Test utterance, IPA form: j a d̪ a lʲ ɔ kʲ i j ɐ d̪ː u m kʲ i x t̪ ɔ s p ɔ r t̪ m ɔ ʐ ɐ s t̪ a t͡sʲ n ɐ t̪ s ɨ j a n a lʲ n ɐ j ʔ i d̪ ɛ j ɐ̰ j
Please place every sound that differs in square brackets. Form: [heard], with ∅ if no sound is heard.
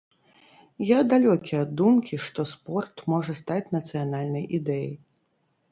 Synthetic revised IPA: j a d̪ a lʲ ɔ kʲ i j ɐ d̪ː u m kʲ i [ʂ] t̪ ɔ s p ɔ r t̪ m ɔ ʐ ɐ s t̪ a t͡sʲ n ɐ t̪ s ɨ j a n a lʲ n ɐ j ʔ i d̪ ɛ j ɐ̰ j